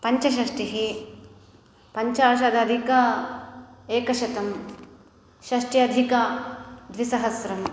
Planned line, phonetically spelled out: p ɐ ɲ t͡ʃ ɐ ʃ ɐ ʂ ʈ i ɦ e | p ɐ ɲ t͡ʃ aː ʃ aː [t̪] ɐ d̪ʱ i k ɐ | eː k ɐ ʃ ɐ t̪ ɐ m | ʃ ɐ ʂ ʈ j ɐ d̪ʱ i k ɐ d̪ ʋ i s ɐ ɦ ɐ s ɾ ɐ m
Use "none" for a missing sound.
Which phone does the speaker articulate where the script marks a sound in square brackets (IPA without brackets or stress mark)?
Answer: d̪